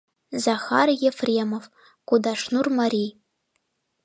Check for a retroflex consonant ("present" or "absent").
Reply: present